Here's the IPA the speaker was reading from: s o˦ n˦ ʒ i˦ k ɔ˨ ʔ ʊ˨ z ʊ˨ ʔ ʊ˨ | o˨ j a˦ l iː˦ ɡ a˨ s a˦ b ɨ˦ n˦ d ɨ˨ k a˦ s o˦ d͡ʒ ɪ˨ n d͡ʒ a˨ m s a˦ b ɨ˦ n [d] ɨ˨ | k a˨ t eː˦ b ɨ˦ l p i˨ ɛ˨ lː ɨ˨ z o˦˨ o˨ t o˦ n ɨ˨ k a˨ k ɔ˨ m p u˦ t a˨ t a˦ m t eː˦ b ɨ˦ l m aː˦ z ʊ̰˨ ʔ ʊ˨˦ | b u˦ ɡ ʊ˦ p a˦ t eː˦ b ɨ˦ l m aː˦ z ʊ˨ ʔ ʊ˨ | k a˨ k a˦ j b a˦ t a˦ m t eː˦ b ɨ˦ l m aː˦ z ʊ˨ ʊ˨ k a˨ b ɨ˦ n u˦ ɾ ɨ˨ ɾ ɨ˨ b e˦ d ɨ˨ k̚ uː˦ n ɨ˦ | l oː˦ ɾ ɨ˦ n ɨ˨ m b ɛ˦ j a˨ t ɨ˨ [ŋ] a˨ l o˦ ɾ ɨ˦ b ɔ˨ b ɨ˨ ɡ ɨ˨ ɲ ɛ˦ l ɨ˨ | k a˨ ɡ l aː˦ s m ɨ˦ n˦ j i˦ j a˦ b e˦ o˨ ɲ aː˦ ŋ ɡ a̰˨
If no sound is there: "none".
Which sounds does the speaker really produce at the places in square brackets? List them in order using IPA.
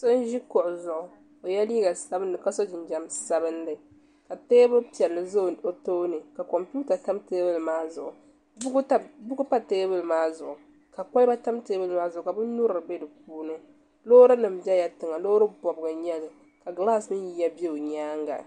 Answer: d, ŋ

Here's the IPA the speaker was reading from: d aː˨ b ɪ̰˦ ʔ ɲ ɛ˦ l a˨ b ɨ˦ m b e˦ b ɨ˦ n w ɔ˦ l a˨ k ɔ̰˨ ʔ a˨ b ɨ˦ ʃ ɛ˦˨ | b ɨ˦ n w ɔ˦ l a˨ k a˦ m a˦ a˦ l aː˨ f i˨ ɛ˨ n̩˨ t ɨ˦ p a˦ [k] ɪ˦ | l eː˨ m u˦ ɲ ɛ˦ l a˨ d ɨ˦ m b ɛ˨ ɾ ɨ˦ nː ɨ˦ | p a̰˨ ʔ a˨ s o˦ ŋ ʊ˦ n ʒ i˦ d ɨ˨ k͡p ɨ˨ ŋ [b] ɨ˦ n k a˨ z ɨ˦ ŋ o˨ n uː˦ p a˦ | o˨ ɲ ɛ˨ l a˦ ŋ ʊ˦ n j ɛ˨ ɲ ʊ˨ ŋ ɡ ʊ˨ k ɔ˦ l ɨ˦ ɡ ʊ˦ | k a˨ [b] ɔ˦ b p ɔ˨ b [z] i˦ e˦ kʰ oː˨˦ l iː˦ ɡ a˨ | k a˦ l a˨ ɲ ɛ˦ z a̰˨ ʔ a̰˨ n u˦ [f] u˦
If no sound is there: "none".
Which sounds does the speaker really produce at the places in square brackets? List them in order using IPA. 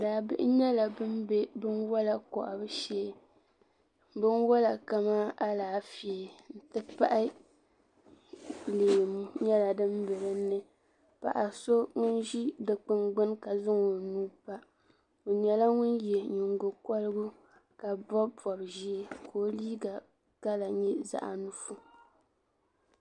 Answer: ʔ, ɡ͡b, b, ʒ, f

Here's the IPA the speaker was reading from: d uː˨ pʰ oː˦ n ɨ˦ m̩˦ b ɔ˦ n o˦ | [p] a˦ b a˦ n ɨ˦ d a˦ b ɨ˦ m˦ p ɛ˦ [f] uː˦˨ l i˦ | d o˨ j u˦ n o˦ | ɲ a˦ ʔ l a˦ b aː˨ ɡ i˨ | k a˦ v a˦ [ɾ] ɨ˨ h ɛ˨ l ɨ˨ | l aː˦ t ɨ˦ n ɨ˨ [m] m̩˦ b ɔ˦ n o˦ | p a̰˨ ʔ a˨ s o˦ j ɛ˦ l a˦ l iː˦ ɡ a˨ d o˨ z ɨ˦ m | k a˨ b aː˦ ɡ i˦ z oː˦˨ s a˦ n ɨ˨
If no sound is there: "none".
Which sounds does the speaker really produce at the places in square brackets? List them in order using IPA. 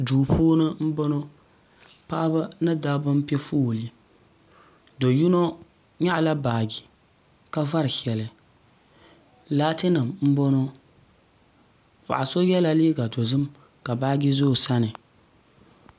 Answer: p, f, ɾ, m

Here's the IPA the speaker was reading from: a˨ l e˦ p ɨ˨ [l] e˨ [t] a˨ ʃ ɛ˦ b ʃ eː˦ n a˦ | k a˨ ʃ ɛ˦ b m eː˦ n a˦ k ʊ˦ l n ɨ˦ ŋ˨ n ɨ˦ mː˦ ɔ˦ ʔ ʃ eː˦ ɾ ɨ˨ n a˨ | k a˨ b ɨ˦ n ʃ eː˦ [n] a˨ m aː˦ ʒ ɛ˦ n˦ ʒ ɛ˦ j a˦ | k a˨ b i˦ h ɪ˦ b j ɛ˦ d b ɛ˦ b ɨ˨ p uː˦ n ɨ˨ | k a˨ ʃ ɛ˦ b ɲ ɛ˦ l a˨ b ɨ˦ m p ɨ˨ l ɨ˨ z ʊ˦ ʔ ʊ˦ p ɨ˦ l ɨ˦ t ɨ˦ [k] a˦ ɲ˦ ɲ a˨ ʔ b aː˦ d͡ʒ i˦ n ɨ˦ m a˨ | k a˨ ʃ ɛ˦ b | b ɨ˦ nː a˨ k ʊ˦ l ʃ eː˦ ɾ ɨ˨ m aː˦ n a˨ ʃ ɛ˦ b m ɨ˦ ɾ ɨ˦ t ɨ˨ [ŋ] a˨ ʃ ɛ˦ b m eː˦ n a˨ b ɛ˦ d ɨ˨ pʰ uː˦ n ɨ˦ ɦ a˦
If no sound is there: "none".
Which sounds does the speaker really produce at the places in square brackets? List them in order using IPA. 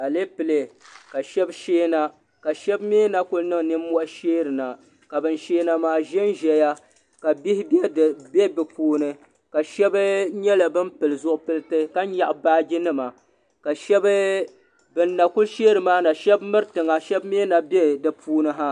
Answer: l, k, n, k, ŋ

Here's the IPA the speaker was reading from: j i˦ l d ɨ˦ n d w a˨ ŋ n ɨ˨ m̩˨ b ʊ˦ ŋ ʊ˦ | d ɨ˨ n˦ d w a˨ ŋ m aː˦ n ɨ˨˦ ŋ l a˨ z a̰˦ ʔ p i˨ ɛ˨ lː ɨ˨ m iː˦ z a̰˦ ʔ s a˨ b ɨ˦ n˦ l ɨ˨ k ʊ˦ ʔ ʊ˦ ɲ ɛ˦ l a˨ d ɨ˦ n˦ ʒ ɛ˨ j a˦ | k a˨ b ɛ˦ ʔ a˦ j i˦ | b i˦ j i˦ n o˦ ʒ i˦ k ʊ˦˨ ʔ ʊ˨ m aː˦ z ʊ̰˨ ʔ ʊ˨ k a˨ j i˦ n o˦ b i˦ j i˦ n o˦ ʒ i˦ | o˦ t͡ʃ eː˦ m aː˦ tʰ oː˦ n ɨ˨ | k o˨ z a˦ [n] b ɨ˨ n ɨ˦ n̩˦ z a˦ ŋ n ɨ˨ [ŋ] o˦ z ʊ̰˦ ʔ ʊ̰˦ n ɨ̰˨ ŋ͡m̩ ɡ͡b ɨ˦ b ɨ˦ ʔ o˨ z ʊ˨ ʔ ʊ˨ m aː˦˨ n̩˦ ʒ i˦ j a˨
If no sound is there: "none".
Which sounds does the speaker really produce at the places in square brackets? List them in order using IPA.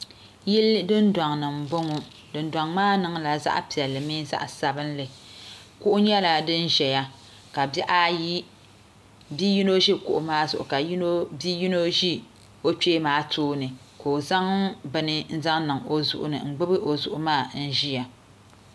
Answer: ŋ, ŋ

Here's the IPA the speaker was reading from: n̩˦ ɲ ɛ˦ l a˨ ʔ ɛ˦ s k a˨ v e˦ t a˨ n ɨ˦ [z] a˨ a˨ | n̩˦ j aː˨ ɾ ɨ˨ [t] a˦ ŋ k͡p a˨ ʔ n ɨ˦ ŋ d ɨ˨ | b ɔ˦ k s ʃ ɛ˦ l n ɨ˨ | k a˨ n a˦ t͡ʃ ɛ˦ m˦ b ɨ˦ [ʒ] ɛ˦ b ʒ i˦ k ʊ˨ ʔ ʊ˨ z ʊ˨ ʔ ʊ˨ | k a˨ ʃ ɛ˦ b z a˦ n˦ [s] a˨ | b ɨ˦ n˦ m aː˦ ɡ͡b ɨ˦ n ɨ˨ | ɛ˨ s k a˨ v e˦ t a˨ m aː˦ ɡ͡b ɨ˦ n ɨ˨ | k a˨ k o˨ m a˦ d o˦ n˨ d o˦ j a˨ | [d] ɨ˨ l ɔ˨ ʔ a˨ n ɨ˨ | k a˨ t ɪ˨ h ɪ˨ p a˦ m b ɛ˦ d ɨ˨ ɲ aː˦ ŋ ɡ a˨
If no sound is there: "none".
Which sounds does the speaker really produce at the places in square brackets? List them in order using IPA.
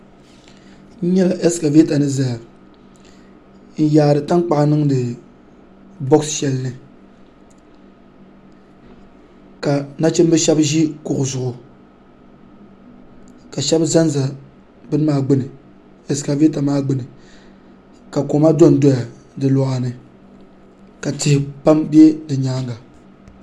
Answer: z, t, ʃ, z, d

